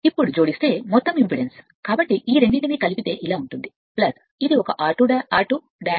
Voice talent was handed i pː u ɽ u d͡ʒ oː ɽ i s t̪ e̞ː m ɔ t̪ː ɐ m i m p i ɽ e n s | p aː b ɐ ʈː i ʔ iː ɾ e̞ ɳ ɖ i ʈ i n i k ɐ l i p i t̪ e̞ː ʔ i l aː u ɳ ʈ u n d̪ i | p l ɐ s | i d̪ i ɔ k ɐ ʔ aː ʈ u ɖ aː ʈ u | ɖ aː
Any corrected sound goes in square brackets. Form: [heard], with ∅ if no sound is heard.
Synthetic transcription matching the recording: i pː u ɽ u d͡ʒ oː ɽ i s t̪ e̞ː m ɔ t̪ː ɐ m i m p i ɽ e n s | [k] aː b ɐ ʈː i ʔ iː ɾ e̞ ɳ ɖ i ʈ i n i k ɐ l i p i t̪ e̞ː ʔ i l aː u ɳ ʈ u n d̪ i | p l ɐ s | i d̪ i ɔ k ɐ ʔ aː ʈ u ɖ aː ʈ u | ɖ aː

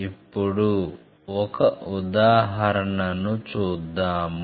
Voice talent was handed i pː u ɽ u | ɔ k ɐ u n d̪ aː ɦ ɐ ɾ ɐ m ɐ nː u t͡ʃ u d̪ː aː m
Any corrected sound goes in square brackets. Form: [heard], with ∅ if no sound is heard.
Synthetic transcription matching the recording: i pː u ɽ u | ɔ k ɐ u [∅] d̪ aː ɦ ɐ ɾ ɐ [ɳ] ɐ [n] u t͡ʃ [uː] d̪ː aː m

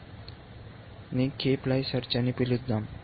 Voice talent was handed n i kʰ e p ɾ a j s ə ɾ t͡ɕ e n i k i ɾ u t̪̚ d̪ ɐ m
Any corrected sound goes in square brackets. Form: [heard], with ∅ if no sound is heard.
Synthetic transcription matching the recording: n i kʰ e p [l] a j s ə ɾ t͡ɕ [a] n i [p] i [l] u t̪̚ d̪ [a] m

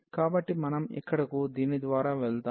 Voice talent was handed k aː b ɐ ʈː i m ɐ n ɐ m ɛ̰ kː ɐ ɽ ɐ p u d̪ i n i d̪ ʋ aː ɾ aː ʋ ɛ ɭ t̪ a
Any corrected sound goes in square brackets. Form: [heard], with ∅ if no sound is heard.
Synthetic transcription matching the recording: k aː b ɐ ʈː i m ɐ n ɐ m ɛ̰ kː ɐ ɽ ɐ [k] u d̪ [iː] n i d̪ ʋ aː ɾ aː ʋ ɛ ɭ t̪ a

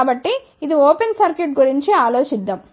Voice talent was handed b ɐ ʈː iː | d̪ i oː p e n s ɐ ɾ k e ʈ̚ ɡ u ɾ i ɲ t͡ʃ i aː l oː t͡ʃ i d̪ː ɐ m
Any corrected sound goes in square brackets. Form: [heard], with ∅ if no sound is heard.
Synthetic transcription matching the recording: b ɐ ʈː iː | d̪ i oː p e n s ɐ ɾ k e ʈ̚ ɡ u ɾ i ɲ t͡ʃ i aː l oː t͡ʃ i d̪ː ɐ m

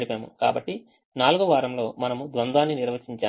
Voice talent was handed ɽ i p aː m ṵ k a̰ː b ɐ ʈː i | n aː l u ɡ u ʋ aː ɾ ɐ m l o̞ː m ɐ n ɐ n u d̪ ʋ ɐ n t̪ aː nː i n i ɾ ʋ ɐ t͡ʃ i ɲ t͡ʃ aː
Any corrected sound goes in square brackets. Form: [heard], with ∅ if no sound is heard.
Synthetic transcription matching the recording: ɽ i p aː m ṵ k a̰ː b ɐ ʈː i | n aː l u ɡ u ʋ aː ɾ ɐ m l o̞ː m ɐ n ɐ [m] u d̪ ʋ ɐ n [d̪] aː nː i n i ɾ ʋ ɐ t͡ʃ i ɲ t͡ʃ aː

